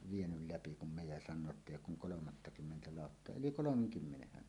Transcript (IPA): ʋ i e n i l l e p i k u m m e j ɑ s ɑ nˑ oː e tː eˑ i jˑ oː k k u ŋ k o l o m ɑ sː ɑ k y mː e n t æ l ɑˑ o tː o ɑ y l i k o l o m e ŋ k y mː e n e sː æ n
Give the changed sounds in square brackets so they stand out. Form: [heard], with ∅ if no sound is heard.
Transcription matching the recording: ʋ i e n [y] l l [æ] p i k u m m e j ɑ s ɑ nˑ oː e tː eˑ i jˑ oː k k u ŋ k o l o m ɑ [tː] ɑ k y mː e n t æ l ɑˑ o tː o ɑ y l i k o l o m e ŋ k y mː e n e [hː] æ n

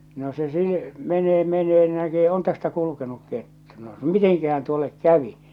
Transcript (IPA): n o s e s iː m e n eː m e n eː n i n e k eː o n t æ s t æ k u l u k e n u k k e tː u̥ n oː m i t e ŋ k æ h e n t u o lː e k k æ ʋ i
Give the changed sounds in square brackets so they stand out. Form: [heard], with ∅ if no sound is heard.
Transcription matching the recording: n o s e s iː m e n eː m e n eː n i n [æ] k eː o n t æ s t æ k u l u k e n u k k e tː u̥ n [o] m i t e ŋ k æ h [æ] n t u o lː e k k æ ʋ i

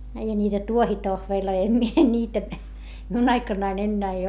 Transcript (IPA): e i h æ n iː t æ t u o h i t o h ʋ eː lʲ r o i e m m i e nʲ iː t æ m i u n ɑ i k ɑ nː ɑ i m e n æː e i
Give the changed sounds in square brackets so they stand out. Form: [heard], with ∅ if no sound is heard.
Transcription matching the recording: e i h æ n iː t æ t u o h i t o h ʋ eː lʲ [l] o i e m m i e nʲ iː t æ m i u n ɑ i k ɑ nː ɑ i [n] e [nː] æː e i

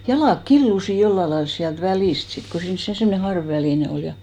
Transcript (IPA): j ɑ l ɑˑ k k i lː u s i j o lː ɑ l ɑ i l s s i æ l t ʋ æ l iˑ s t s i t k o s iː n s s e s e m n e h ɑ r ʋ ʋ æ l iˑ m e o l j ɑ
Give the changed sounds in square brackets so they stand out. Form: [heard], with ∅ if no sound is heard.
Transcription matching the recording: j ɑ l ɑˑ k k i lː u s i j o lː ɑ l ɑ i l s s i æ l t ʋ æ l iˑ s t s i t k o s iː n s s e s e m n e h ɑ r ʋ ʋ æ l iˑ [n] e o l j ɑ

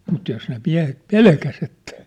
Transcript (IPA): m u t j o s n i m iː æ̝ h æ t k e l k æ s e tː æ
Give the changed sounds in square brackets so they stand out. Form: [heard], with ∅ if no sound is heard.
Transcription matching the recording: m u t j o s n [e] m [i] æ̝ h [e] t [p] e l k æ s e tː æ

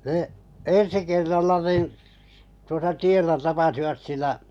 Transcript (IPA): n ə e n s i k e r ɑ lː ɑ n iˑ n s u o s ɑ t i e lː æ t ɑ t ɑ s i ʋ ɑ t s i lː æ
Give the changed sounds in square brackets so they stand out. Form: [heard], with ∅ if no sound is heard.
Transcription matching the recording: n ə e n s i k e [rː] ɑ lː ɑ n iˑ n [t] u o s ɑ t i e lː æ t ɑ [p] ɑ s i ʋ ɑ t s i lː æ

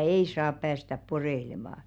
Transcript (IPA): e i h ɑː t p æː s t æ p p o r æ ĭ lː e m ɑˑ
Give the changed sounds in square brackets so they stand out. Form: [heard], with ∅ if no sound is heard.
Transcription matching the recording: e i [s] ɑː [p] p æː s t æ p p o r [e] ĭ [l] e m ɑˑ

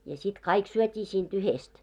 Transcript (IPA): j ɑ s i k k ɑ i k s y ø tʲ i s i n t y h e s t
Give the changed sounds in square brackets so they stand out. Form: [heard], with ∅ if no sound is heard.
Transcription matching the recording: j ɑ s i [t] k ɑ i k s y ø tʲ [iː] s [iː] n t y h e s t

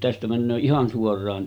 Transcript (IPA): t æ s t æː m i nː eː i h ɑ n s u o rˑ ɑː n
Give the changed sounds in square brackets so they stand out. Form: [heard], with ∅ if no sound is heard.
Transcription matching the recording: t æ s t [æ] m [æ] nː [øː] i h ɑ n s u o rˑ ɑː n

